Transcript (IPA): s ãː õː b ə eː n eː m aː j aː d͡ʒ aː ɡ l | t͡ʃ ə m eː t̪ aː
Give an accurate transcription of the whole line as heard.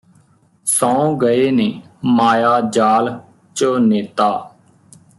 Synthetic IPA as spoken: s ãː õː ɡ ə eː n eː m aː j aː d͡ʒ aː l | t͡ʃ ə n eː t̪ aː